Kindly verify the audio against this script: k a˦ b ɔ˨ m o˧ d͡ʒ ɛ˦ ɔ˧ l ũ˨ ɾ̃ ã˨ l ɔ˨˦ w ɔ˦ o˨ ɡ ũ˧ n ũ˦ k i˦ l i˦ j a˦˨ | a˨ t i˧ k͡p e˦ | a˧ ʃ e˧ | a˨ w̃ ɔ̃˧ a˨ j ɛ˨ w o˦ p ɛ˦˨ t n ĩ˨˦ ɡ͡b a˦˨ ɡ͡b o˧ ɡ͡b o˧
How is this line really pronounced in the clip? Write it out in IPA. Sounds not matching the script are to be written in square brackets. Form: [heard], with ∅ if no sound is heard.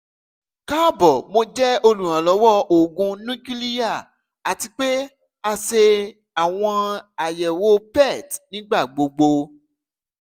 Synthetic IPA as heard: k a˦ b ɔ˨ m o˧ d͡ʒ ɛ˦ [o˧] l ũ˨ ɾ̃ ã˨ l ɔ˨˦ w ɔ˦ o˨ ɡ ũ˧ n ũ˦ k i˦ l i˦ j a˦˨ | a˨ t i˧ k͡p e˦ | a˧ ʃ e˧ | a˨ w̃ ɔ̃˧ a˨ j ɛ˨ w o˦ p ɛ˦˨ t n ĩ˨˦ ɡ͡b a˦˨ ɡ͡b o˧ ɡ͡b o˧